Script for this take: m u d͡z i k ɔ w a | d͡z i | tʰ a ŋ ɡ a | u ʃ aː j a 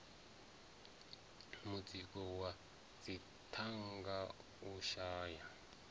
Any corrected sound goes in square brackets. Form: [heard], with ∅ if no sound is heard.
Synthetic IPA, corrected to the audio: m u d͡z i k ɔ w a | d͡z i | tʰ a ŋ ɡ a | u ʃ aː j a